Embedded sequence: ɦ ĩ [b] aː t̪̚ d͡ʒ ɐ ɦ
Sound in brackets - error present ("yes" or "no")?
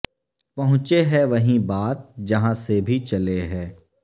no